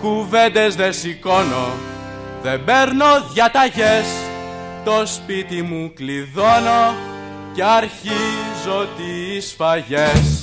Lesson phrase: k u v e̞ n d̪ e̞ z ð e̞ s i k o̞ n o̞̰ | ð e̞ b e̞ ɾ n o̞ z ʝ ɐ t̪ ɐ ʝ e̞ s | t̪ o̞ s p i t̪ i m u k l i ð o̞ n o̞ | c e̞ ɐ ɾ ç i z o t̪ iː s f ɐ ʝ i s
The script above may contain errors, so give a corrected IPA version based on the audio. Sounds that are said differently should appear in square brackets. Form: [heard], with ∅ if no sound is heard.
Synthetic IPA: k u v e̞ n d̪ e̞ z ð e̞ s i k o̞ n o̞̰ | ð e̞ b e̞ ɾ n o̞ [ð] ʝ ɐ t̪ ɐ ʝ e̞ s | t̪ o̞ s p i t̪ i m u k l i ð o̞ n o̞ | c e̞ ɐ ɾ ç i z o t̪ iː s f ɐ ʝ [e] s